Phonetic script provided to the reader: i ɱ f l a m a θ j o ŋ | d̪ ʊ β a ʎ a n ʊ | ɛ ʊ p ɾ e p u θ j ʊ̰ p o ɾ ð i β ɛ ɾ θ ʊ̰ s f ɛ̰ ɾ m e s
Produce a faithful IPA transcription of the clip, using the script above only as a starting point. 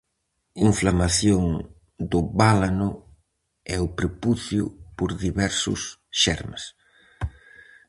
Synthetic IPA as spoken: i ɱ f l a m a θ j o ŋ | d̪ ʊ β a l a n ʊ | ɛ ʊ p ɾ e p u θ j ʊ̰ p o ɾ ð i β ɛ ɾ s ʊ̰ s ʃ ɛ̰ ɾ m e s